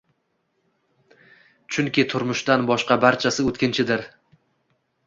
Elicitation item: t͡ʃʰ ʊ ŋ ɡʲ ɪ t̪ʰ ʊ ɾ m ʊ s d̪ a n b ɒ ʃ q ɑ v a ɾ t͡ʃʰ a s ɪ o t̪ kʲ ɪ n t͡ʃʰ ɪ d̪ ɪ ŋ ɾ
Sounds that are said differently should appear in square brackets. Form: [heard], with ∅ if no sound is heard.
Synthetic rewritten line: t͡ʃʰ ʊ ŋ [kʲ] ɪ t̪ʰ ʊ ɾ m ʊ [ʃ] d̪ a n b ɒ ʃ q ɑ [b] a ɾ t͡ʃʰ a s ɪ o t̪ kʲ ɪ n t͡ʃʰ ɪ d̪ ɪ [∅] ɾ